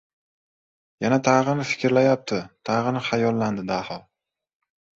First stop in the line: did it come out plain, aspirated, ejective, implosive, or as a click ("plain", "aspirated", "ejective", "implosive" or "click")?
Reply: aspirated